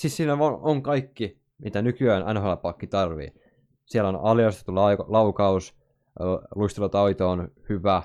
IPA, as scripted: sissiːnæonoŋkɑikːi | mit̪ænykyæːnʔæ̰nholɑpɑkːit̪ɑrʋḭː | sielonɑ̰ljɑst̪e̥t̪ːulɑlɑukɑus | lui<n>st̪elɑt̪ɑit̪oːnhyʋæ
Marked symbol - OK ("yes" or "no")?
no